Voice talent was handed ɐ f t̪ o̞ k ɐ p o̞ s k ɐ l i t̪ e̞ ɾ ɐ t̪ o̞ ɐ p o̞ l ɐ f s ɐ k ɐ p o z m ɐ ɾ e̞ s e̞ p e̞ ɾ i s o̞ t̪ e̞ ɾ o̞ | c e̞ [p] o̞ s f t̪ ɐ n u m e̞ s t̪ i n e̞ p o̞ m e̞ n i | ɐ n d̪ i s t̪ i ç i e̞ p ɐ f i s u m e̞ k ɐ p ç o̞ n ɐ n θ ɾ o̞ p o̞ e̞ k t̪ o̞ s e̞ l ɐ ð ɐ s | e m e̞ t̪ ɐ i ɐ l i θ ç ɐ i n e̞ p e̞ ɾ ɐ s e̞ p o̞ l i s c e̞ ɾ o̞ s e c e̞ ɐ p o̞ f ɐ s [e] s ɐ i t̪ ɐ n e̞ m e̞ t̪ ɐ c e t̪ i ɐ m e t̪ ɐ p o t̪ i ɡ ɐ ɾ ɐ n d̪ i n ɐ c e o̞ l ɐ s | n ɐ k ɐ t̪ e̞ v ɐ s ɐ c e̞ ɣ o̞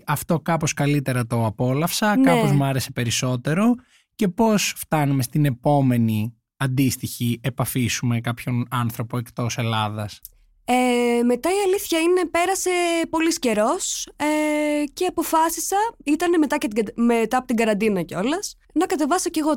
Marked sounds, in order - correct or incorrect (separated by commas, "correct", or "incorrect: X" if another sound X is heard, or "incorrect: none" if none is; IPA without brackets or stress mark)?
correct, incorrect: i